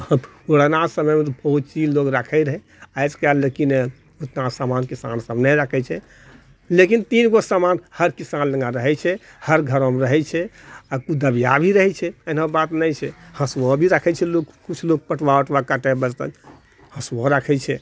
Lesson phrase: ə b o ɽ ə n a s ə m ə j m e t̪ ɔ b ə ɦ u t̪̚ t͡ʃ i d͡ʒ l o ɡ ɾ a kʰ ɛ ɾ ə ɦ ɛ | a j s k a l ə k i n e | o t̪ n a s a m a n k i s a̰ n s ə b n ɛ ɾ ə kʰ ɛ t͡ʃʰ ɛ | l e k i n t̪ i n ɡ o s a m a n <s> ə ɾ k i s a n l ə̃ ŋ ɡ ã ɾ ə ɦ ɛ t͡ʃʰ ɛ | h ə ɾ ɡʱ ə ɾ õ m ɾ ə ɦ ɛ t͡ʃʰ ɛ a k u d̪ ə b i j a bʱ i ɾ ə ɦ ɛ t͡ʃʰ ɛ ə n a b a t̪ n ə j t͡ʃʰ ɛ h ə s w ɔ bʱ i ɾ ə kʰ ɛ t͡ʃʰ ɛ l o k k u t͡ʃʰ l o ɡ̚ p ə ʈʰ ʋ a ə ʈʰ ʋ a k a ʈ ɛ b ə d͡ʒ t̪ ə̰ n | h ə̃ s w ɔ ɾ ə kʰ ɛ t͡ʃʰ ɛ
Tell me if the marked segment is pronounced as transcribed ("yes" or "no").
no